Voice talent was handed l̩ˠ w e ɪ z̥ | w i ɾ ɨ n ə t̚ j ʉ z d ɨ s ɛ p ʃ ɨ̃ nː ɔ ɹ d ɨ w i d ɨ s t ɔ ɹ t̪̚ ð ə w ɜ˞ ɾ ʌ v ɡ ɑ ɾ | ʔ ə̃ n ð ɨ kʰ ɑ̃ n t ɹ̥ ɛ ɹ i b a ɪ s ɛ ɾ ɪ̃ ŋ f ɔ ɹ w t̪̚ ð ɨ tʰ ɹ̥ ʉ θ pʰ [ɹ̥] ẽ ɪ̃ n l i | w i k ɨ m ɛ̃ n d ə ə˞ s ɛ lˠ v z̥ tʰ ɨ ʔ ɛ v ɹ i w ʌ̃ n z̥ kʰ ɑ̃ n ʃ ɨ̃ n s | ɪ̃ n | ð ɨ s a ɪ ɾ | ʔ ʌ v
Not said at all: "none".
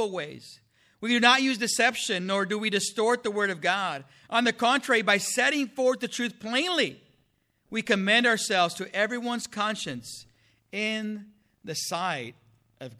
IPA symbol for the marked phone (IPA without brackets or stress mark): l̥